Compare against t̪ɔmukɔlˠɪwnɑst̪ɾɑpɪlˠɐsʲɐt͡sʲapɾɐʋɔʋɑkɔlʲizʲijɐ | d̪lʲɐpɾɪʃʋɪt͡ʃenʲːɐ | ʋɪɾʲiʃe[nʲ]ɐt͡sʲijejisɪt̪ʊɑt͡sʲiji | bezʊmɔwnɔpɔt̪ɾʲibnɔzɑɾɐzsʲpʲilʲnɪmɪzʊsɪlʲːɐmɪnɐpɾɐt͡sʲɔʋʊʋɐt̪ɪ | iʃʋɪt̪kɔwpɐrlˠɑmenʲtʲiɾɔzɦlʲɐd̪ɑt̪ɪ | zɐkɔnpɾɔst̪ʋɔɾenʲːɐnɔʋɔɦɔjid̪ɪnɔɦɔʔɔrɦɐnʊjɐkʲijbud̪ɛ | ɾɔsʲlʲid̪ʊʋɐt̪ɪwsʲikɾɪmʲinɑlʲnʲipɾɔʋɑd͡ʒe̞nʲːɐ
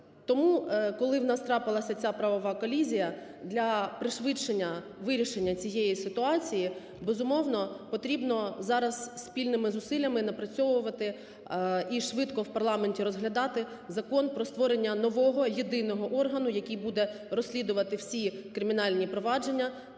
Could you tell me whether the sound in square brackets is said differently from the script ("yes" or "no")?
yes